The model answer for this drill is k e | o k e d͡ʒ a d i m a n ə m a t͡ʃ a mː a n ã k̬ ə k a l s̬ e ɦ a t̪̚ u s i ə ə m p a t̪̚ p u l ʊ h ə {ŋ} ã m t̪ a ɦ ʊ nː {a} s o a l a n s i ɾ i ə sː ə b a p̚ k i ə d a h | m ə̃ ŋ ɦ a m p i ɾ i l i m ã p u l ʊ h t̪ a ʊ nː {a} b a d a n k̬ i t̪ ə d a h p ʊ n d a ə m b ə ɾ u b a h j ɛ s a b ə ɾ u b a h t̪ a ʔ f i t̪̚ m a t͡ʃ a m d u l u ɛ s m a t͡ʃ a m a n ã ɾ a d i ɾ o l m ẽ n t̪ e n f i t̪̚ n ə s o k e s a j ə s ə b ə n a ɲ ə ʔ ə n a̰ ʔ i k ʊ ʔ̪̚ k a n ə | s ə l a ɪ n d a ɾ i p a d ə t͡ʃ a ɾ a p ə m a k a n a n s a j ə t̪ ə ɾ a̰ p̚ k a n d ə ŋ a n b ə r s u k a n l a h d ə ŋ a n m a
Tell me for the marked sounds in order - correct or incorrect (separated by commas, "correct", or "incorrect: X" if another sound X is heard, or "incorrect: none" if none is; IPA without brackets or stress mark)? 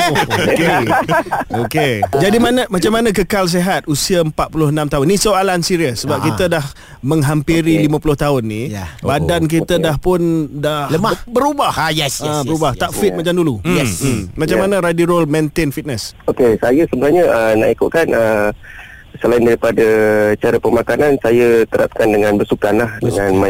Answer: incorrect: n, incorrect: i, incorrect: i